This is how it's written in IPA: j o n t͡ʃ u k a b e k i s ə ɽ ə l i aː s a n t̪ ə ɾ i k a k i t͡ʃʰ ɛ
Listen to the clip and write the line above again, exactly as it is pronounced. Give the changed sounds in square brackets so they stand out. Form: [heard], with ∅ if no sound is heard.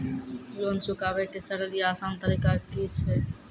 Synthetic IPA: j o n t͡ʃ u k a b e k [e] s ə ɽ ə l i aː s a n t̪ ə ɾ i k a k i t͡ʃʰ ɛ